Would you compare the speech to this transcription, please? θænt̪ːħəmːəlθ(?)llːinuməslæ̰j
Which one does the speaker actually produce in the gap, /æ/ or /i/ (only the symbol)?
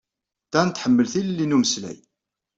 i